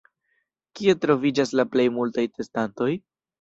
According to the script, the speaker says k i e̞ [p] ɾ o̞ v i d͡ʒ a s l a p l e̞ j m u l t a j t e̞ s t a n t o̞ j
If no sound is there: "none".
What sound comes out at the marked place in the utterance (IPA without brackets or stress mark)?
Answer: t